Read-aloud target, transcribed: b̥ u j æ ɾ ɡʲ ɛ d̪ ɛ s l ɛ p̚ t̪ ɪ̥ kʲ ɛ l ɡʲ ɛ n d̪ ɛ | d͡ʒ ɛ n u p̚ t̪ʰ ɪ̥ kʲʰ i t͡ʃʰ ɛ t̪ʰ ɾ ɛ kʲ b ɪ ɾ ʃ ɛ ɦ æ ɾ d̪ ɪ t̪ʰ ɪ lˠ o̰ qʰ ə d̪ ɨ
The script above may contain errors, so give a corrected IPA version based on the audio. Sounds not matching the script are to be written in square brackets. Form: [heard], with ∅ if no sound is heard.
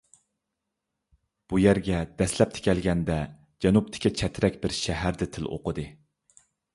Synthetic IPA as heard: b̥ u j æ ɾ ɡʲ ɛ d̪ ɛ s l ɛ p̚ [t̪ʰ] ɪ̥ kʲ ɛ l ɡʲ ɛ n d̪ ɛ | d͡ʒ ɛ n u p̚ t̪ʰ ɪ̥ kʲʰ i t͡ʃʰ ɛ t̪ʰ ɾ ɛ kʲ b ɪ ɾ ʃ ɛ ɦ æ ɾ d̪ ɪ t̪ʰ ɪ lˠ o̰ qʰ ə d̪ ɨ

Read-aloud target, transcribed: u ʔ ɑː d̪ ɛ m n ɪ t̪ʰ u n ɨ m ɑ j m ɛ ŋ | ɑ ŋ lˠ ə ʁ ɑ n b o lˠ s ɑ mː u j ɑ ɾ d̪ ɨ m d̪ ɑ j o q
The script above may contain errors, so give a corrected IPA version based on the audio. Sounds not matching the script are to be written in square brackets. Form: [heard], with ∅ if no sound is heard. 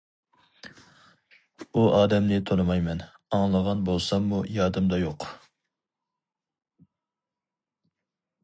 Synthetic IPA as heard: u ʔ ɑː d̪ ɛ m n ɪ t̪ʰ [o] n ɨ m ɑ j m ɛ [n] | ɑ ŋ lˠ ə ʁ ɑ n b o lˠ s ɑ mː u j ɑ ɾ d̪ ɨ m d̪ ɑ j o q

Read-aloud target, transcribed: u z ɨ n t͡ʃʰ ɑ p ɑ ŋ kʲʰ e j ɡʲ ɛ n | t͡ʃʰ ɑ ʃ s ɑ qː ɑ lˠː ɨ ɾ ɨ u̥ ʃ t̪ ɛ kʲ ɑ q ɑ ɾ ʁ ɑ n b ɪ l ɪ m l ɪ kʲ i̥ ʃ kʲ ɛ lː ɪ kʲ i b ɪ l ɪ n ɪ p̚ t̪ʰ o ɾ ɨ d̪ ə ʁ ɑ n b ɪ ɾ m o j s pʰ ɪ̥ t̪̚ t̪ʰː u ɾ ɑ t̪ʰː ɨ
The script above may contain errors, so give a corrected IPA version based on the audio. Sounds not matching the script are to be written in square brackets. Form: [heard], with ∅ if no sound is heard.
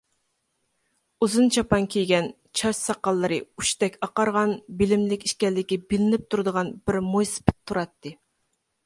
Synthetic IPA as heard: u z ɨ n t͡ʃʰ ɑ p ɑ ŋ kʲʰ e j ɡʲ ɛ n | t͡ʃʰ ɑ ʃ s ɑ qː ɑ lˠː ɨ ɾ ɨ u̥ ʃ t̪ ɛ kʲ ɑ q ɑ ɾ ʁ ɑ n b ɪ l ɪ m l ɪ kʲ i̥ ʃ kʲ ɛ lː ɪ kʲ i b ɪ l ɪ n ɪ p̚ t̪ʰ [u] ɾ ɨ d̪ ə ʁ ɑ n b ɪ ɾ m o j s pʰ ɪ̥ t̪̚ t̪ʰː u ɾ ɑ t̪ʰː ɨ

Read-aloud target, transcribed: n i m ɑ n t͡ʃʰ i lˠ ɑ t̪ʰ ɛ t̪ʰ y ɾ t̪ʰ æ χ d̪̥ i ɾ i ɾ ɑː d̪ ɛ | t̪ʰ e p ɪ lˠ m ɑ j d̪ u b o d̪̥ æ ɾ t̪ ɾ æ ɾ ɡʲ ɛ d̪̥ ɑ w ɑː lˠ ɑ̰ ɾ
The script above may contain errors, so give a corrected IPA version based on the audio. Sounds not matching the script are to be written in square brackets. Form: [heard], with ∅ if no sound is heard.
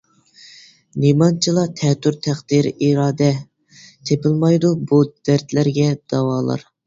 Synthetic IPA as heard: n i m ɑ n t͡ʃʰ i lˠ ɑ t̪ʰ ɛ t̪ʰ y ɾ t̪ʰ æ χ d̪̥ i ɾ i ɾ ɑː d̪ ɛ | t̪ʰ e p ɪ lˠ m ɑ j d̪ u b [u] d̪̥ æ ɾ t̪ [l] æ ɾ ɡʲ ɛ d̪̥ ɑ w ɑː lˠ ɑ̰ ɾ

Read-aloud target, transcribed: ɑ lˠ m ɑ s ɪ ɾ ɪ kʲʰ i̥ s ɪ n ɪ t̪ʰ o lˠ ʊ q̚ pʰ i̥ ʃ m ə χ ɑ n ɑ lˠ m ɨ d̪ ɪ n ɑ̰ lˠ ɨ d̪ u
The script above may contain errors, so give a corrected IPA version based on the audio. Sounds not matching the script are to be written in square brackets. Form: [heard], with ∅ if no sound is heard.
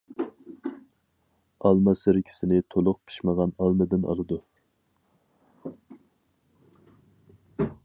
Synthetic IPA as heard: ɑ lˠ m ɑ s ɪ ɾ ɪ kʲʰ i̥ s ɪ n ɪ t̪ʰ o lˠ ʊ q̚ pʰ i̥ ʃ m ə [ʁ] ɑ n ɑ lˠ m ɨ d̪ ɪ n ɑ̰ lˠ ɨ d̪ u

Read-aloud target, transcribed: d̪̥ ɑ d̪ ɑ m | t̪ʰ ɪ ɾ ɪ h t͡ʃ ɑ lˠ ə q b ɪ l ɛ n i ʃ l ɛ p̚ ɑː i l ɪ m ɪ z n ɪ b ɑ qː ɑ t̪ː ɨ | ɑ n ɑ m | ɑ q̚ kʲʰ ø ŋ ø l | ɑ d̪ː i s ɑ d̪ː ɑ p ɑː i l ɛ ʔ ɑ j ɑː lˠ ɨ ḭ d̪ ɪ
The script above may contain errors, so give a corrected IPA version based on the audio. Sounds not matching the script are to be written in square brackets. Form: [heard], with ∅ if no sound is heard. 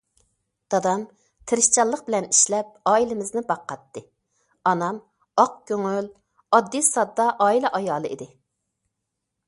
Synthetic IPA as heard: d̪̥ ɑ d̪ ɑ m | t̪ʰ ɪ ɾ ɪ [ʃ] t͡ʃ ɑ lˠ ə q b ɪ l ɛ n i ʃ l ɛ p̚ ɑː i l ɪ m ɪ z n ɪ b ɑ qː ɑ t̪ː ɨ | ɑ n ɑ m | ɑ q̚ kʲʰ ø ŋ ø l | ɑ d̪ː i s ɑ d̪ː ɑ [ʔ] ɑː i l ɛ ʔ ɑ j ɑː lˠ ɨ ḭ d̪ ɪ

